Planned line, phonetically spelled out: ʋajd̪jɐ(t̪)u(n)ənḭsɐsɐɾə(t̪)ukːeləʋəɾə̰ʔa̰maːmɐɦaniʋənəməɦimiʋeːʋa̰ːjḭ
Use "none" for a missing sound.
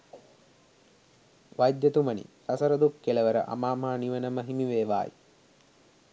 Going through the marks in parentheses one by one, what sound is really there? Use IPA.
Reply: t̪, m, d̪

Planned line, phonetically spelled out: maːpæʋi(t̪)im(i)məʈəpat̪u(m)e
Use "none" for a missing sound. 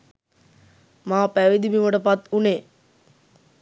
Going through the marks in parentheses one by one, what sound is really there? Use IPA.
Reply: d̪, i, n

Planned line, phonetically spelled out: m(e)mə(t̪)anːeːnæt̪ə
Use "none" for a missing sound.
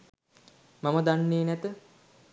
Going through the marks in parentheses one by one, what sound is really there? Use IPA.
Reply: a, d̪

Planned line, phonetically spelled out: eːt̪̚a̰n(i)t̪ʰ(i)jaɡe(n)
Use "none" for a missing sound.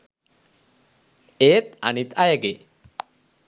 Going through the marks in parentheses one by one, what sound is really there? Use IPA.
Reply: i, a, none

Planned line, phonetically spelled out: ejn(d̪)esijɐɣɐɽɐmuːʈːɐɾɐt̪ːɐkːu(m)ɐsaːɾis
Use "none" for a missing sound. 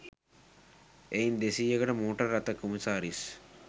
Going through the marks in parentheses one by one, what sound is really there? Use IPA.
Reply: d̪, m

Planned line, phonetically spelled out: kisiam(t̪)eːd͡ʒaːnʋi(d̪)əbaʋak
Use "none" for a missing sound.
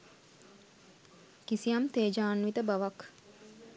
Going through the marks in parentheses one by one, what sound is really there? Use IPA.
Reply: t̪, t̪

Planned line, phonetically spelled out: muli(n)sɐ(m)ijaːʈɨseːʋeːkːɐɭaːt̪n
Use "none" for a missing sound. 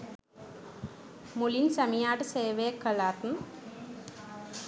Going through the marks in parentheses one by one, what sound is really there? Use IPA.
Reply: n, m

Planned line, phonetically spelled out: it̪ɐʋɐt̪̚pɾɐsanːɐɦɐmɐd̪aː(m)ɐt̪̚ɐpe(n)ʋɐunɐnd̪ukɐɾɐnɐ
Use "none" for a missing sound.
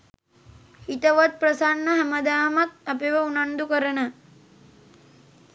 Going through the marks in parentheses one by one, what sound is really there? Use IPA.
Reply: m, none

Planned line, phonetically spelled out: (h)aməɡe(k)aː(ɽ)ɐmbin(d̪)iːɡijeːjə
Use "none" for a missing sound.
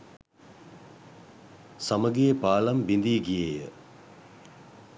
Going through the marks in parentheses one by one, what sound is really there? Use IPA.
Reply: s, p, l, d̪

